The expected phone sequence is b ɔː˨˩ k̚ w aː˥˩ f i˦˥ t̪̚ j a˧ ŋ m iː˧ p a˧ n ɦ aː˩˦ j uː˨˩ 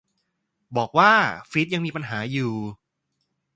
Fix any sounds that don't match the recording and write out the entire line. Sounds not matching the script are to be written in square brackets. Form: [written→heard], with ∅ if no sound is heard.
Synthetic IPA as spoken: b ɔː˨˩ k̚ w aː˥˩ f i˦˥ t̪̚ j a˧ ŋ m iː˧ p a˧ n ɦ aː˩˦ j uː˨˩